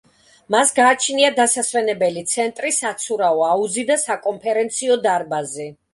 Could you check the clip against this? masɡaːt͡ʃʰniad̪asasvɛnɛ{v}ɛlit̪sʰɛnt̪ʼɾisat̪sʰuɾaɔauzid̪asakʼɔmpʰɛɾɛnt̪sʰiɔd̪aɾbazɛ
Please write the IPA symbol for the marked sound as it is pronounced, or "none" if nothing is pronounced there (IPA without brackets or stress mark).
b